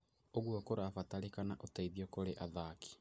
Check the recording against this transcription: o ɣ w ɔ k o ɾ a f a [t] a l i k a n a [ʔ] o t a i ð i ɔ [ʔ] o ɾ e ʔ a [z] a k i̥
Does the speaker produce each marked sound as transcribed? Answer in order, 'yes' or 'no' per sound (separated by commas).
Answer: yes, yes, no, no